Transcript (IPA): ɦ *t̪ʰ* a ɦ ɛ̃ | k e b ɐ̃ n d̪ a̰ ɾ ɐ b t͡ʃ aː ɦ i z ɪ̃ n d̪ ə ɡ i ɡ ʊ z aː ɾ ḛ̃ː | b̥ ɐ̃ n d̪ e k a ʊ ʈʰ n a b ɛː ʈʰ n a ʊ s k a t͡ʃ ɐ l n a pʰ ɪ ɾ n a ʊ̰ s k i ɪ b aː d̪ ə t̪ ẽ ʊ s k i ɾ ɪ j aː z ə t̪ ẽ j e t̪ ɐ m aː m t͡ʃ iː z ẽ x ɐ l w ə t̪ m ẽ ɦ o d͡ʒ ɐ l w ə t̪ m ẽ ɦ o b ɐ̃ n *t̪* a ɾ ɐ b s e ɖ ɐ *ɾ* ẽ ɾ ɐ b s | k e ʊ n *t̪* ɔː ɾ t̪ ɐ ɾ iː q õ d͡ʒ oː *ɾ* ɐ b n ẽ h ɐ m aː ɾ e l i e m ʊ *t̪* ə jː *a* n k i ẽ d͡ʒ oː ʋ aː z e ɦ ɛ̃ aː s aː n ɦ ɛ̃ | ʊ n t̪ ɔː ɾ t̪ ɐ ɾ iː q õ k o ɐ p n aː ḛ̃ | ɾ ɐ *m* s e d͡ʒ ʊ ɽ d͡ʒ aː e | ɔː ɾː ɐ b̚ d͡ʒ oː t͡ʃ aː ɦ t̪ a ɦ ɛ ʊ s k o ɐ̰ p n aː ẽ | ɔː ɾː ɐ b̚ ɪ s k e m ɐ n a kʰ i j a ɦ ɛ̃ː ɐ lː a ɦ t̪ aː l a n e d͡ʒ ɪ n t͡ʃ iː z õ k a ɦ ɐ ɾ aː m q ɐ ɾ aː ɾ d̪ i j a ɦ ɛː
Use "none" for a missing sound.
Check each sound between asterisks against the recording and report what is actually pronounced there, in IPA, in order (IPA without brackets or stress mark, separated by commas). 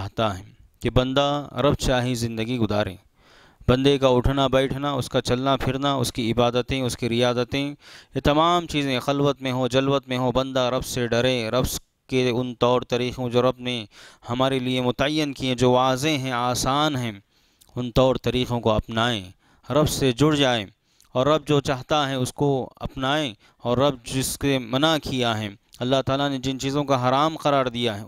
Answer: t̪, d̪, ɾ, t̪, ɾ, t̪, ə, b